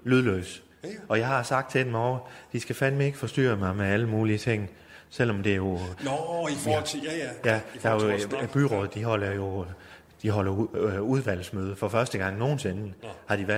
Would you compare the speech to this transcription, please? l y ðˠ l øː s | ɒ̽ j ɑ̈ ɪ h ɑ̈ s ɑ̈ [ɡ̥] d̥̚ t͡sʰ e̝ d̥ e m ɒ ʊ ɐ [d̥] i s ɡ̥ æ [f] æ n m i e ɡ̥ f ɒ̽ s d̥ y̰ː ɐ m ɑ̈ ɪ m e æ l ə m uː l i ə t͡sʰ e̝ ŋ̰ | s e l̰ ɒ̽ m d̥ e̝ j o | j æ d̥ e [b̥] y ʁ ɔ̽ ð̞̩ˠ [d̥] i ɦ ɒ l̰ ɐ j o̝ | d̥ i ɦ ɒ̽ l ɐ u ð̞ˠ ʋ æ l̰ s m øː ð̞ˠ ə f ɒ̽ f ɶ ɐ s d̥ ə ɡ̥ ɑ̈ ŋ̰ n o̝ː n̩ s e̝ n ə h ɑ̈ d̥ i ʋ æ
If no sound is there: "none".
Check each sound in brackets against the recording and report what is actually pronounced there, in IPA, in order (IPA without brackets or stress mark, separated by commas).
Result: ɡ̥, d̥, f, b̥, d̥